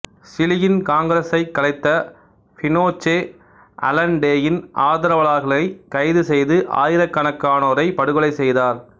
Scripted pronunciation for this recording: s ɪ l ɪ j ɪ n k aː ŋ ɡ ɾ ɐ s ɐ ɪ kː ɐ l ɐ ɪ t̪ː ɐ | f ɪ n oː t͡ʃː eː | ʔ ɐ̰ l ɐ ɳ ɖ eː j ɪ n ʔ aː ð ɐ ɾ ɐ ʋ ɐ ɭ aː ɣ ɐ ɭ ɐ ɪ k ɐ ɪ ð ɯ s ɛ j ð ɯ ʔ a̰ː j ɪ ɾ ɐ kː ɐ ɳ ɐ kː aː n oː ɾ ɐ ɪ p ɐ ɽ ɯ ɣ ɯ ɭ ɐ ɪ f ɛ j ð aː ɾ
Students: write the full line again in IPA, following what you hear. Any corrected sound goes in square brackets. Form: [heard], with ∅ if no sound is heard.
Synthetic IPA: s ɪ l ɪ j ɪ n k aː ŋ ɡ ɾ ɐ s ɐ ɪ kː ɐ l ɐ ɪ t̪ː ɐ | f ɪ n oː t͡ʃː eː | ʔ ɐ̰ l ɐ ɳ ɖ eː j ɪ n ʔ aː ð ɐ ɾ ɐ ʋ ɐ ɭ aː ɣ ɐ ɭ ɐ ɪ k ɐ ɪ ð ɯ s ɛ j ð ɯ ʔ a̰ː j ɪ ɾ ɐ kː ɐ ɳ ɐ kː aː n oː ɾ ɐ ɪ p ɐ ɽ ɯ ɣ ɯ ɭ ɐ ɪ [s] ɛ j ð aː ɾ